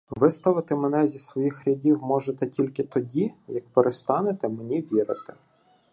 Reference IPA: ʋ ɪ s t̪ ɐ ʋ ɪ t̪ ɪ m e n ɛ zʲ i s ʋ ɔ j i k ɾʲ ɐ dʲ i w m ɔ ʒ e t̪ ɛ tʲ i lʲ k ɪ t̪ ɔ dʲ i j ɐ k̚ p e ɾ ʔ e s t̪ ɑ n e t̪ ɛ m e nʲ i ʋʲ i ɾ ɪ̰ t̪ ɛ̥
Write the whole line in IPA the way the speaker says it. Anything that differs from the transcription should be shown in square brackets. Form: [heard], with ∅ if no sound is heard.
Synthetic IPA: ʋ ɪ s t̪ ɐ ʋ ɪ t̪ ɪ m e n ɛ zʲ i s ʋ ɔ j i [x] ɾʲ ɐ dʲ i w m ɔ ʒ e t̪ ɛ tʲ i lʲ k ɪ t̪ ɔ dʲ i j ɐ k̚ p e ɾ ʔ e s t̪ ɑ n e t̪ ɛ m e nʲ i ʋʲ i ɾ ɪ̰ t̪ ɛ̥